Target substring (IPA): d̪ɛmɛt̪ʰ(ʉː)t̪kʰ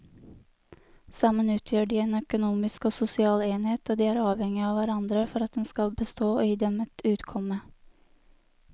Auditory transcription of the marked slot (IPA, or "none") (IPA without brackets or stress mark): ʉː